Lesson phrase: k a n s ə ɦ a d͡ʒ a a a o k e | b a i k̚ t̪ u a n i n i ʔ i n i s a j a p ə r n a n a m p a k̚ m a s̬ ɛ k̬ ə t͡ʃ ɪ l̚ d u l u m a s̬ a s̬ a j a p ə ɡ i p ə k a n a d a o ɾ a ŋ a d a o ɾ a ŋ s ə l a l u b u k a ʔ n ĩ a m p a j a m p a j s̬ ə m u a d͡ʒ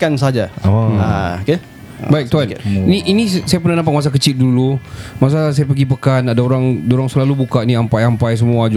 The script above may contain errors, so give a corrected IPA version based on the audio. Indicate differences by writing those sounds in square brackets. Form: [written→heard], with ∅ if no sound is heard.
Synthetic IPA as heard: k a n s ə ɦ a d͡ʒ a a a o k e | b a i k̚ t̪ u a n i n i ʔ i n i s a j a p ə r n a n a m p a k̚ m a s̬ [ɛ→a] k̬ ə t͡ʃ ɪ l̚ d u l u m a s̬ a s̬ a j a p ə ɡ i p ə k a n a d a o ɾ a ŋ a d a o ɾ a ŋ s ə l a l u b u k a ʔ n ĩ a m p a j a m p a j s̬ ə m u a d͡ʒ